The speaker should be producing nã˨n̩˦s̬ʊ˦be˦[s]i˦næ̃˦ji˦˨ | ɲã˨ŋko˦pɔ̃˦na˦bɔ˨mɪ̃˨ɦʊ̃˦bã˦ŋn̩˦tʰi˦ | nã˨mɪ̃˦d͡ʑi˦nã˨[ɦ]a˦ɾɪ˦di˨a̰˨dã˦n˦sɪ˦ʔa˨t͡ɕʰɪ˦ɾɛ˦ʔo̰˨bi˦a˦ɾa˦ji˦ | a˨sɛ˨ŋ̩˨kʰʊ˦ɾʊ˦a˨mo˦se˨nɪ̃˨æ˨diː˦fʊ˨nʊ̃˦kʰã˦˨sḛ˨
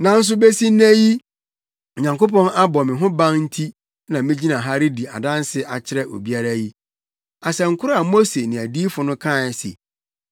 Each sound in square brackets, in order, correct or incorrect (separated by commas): correct, correct